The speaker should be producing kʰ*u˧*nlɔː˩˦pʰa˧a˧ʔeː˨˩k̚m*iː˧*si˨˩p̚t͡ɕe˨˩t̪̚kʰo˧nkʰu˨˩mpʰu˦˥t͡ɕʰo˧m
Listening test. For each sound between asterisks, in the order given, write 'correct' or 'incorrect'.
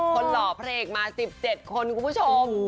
incorrect: o˧, incorrect: aː˧

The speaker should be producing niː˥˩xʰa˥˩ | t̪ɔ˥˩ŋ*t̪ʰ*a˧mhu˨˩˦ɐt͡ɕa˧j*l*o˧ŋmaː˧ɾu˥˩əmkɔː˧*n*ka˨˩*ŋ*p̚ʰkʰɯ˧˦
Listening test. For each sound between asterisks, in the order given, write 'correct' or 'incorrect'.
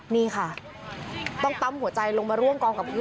incorrect: t̪, correct, incorrect: ŋ, incorrect: none

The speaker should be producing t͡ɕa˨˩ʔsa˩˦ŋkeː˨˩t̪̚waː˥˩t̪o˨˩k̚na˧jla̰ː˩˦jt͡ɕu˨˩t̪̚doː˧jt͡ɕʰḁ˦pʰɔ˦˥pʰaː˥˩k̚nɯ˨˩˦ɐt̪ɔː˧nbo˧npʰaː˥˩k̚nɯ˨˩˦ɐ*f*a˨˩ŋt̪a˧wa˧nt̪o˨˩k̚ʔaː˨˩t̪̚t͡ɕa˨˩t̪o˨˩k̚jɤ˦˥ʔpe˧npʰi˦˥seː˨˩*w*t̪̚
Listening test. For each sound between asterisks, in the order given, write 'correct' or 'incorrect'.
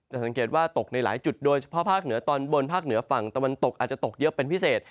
correct, incorrect: none

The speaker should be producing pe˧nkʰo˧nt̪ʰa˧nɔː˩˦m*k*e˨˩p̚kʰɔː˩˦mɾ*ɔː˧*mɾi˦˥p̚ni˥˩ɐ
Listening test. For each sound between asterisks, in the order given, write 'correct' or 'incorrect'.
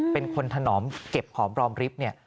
correct, correct

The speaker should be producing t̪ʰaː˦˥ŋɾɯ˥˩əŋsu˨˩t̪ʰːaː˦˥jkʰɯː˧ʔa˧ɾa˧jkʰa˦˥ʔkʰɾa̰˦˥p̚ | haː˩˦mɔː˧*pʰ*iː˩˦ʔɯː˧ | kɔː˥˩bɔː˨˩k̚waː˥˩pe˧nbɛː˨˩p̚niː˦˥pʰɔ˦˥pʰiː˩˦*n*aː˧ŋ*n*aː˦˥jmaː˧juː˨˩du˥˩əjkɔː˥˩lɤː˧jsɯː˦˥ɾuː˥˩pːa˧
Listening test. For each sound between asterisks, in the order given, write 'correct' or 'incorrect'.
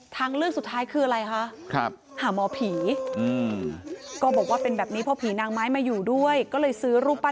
correct, correct, incorrect: m

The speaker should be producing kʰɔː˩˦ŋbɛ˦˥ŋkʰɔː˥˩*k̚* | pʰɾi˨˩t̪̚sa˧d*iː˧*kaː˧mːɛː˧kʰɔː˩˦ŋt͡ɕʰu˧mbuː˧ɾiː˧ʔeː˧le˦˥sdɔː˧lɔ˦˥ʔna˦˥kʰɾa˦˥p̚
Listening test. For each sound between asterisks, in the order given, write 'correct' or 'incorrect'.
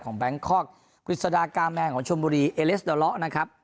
correct, incorrect: aː˧

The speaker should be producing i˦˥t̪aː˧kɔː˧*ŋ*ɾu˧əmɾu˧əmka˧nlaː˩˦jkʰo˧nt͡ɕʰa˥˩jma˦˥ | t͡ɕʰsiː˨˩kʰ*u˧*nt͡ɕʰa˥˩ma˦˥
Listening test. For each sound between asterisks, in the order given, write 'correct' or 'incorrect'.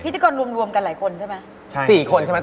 incorrect: n, incorrect: o˧

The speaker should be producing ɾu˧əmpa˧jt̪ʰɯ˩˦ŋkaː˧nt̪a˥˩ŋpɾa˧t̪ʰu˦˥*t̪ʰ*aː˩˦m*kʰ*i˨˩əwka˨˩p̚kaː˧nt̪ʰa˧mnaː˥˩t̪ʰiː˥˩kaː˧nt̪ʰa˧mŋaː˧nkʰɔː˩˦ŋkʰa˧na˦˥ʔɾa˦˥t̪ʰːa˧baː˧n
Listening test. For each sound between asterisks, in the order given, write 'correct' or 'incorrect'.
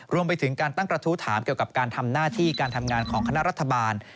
correct, incorrect: k

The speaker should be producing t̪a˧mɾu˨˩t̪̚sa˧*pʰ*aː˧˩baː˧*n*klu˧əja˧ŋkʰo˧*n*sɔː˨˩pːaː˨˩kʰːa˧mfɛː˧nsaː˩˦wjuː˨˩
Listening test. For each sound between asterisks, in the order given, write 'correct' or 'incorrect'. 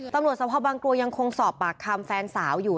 correct, incorrect: ŋ, incorrect: ŋ

